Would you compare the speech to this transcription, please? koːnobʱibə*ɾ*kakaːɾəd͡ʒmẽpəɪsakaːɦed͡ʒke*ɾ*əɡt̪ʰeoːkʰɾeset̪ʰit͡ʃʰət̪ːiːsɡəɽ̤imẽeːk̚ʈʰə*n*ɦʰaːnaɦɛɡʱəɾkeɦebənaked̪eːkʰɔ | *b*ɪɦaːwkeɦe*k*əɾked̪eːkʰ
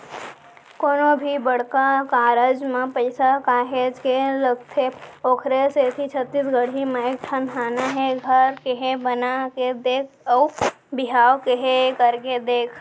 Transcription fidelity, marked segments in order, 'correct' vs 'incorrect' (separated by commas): incorrect, incorrect, correct, correct, correct